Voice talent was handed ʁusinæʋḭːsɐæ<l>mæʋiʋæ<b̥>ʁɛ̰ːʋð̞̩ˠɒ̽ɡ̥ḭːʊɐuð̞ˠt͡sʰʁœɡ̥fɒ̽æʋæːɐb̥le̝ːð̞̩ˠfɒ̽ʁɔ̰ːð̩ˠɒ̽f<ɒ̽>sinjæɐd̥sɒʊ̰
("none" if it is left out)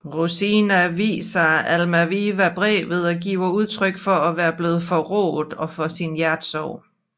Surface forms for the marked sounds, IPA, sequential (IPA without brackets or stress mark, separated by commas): l, b̥, ɒ̽